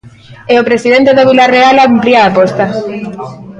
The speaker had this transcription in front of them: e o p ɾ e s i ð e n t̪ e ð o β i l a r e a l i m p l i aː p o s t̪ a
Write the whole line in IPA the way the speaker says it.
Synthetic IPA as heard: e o p ɾ e s i ð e n t̪ e ð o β i l a r e a l a m p l i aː p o s t̪ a

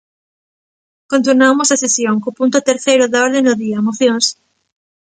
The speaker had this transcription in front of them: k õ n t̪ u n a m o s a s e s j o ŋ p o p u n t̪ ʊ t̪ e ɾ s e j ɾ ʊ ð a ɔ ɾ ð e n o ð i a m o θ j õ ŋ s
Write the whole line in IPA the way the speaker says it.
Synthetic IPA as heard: k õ n t̪ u n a m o s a s e s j o ŋ k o p u n t̪ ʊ t̪ e ɾ θ e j ɾ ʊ ð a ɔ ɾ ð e n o ð i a m o θ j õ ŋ s

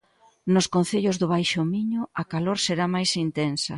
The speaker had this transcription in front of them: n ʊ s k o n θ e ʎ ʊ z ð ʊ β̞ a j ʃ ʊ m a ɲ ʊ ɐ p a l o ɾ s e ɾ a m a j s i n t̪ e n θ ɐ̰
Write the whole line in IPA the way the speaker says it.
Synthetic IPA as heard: n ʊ s k o n θ e ʎ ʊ z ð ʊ β̞ a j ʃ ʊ m i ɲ ʊ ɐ k a l o ɾ s e ɾ a m a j s i n t̪ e n s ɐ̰

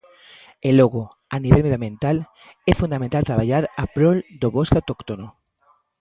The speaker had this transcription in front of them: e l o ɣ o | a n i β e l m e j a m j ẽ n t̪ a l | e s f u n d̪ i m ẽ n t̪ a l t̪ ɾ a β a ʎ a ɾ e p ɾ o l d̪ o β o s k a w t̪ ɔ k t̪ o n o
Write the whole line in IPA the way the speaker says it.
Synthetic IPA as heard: e l o ɣ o | a n i β e l m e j a m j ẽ n t̪ a l | e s f u n d̪ a m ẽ n t̪ a l t̪ ɾ a β a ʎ a ɾ a p ɾ o l d̪ o β o s k a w t̪ o k t̪ o n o

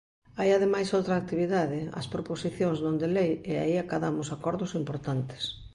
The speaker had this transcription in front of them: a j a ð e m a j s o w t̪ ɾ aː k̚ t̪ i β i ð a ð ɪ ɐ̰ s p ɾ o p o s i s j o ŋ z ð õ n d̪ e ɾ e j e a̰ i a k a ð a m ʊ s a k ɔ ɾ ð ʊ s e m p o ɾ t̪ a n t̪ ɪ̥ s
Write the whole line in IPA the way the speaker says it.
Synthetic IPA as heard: a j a ð e m a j s o w t̪ ɾ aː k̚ t̪ i β i ð a ð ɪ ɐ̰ s p ɾ o p o s i θ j o ŋ z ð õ n d̪ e l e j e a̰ i a k a ð a m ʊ s a k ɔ ɾ ð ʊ s i m p o ɾ t̪ a n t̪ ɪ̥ s

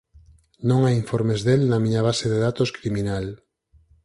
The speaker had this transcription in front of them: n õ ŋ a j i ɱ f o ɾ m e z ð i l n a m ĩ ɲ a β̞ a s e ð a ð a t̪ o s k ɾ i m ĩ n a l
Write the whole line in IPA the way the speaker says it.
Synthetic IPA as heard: n õ ŋ a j i ɱ f o ɾ m e z ð e l n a m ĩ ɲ a β̞ a s e ð e ð a t̪ o s k ɾ i m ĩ n a l

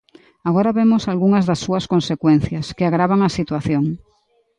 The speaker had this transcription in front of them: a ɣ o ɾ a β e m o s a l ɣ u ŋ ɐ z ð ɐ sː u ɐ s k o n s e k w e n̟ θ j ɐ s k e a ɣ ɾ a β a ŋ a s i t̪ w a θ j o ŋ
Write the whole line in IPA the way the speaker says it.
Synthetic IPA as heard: a ɣ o ɾ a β e m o s a l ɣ u ŋ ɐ z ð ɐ sː u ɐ s k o n s e k w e n̟ θ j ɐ s k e a ɣ ɾ a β a ŋ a s i t̪ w a θ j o ŋ

